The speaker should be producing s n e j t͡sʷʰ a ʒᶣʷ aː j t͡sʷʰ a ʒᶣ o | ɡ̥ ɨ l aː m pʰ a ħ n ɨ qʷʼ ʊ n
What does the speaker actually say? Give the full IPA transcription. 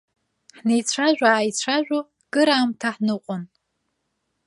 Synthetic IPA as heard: ħ n e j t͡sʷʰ a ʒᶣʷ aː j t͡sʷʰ a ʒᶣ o | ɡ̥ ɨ ɾ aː m tʰ a ħ n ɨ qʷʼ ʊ n